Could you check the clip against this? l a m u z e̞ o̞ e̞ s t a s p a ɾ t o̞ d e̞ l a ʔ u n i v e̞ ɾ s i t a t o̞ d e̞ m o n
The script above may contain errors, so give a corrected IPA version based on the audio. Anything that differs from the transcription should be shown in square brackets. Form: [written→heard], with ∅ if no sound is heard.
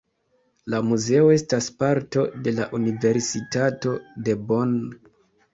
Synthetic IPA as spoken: l a m u z e̞ o̞ e̞ s t a s p a ɾ t o̞ d e̞ l a ʔ u n i v e̞ ɾ s i t a t o̞ d e̞ [m→b] o n

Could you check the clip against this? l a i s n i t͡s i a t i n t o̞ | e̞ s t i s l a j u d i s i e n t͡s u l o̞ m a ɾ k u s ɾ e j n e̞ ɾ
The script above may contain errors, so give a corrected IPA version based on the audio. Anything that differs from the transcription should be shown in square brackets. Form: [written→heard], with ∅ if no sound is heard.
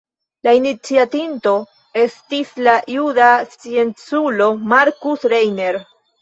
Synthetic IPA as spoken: l a i [s→∅] n i t͡s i a t i n t o̞ | e̞ s t i s l a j u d [i→a] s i e n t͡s u l o̞ m a ɾ k u s ɾ e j n e̞ ɾ

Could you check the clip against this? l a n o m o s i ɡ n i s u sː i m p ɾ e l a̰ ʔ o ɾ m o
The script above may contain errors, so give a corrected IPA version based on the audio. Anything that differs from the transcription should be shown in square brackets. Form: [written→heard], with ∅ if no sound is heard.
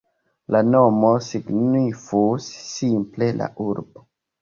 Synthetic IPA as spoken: l a n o m o s i ɡ n i [s→f] u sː i m p [ɾ→l] e l a̰ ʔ [o→u] ɾ [m→b] o

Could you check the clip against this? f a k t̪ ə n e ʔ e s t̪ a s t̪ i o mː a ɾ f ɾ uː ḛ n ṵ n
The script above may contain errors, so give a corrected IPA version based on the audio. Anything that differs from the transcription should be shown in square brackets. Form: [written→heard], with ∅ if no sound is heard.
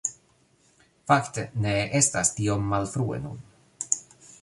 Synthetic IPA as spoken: f a k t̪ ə n e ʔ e s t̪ a s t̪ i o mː a [ɾ→l] f ɾ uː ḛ n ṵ n

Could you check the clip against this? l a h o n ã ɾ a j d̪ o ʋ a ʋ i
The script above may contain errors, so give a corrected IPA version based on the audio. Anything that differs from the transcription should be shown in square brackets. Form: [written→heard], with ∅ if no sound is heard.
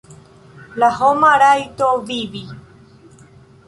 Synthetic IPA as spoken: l a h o [n→m] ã ɾ a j [d̪→t̪] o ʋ [a→i] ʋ i

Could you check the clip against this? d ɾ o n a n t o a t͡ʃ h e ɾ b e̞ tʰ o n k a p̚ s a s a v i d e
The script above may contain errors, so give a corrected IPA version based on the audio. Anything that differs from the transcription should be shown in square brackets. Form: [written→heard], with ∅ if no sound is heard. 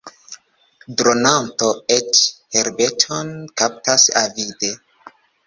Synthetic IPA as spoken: d ɾ o n a n t o [a→e] t͡ʃ h e ɾ b e̞ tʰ o n k a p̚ [s→t] a s a v i d e

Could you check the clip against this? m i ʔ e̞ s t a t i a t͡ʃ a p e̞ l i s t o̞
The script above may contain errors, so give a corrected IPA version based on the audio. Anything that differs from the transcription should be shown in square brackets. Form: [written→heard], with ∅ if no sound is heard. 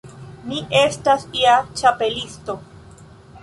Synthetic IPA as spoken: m i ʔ e̞ s t a [t→s] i a t͡ʃ a p e̞ l i s t o̞

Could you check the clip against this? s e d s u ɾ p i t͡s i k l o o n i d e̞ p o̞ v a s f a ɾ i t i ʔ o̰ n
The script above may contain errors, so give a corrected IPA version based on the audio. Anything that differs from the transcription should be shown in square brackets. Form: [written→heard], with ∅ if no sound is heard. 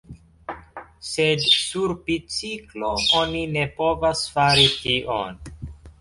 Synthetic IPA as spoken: s e d s u ɾ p i t͡s i k l o o n i [d→n] e̞ p o̞ v a s f a ɾ i t i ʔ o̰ n

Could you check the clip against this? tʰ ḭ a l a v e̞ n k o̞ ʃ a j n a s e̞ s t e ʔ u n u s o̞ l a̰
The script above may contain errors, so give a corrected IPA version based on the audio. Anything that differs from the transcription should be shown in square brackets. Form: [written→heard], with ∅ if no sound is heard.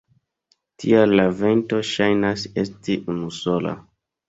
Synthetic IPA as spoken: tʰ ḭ a l a v e̞ n [k→t] o̞ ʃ a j n a s e̞ s t [e→i] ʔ u n u s o̞ l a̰

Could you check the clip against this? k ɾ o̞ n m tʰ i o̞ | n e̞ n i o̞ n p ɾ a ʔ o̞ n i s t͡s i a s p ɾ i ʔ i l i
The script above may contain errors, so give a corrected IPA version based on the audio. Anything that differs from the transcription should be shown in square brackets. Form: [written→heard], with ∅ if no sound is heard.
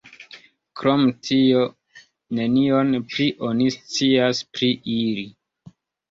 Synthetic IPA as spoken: k ɾ o̞ [n→∅] m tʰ i o̞ | n e̞ n i o̞ n p ɾ [a→i] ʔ o̞ n i s t͡s i a s p ɾ i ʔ i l i

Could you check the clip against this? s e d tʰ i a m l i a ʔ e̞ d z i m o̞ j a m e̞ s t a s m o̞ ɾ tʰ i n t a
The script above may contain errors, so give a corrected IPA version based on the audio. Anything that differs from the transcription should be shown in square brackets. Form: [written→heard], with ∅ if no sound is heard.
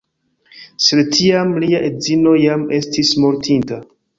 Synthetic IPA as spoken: s e d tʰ i a m l i a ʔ e̞ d z i [m→n] o̞ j a m e̞ s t [a→i] s m o̞ ɾ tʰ i n t a

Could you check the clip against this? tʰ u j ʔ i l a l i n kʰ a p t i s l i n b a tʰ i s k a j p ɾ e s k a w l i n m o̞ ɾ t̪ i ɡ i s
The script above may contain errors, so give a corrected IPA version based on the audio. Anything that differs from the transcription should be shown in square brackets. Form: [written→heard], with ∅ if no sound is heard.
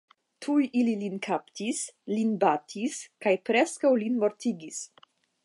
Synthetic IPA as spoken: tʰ u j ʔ i l [a→i] l i n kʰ a p t i s l i n b a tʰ i s k a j p ɾ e s k a w l i n m o̞ ɾ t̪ i ɡ i s

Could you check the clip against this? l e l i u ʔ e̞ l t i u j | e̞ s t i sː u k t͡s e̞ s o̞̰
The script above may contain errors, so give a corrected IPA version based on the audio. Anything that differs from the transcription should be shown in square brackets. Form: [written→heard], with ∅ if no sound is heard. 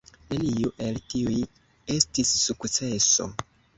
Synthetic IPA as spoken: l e l i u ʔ e̞ l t i u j | e̞ s t i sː u k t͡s e̞ s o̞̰

